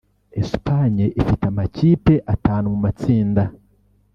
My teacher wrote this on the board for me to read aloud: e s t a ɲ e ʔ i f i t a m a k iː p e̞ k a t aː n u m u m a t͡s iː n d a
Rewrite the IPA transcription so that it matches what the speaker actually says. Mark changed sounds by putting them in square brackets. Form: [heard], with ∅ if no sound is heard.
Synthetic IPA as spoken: e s [p] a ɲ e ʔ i f i t a m a [c] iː p e̞ [ʔ] a t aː n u m u m a t͡s iː n d a